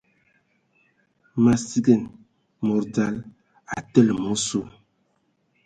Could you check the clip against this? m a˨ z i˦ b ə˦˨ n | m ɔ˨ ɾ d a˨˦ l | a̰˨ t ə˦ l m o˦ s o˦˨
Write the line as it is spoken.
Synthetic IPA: m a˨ s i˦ ɡ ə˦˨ n | m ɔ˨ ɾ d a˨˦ l | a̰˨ t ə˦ l m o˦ s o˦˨